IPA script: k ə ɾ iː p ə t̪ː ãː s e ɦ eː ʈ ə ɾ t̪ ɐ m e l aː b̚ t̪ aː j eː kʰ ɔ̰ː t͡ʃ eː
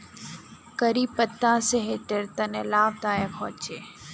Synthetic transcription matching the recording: k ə ɾ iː p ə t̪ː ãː s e ɦ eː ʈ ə ɾ t̪ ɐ n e l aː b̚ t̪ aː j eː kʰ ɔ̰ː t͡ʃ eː